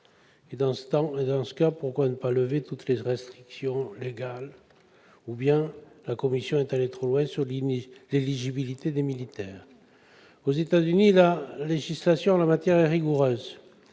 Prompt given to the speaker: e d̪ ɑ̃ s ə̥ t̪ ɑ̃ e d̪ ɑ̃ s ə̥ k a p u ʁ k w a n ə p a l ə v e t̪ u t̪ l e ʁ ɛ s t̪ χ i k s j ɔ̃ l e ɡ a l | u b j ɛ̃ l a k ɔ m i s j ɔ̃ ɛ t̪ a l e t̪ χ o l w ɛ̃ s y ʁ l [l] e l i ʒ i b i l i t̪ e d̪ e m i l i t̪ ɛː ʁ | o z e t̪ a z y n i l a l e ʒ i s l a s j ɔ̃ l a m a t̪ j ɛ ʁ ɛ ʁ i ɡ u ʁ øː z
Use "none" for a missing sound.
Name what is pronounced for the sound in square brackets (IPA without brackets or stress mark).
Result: l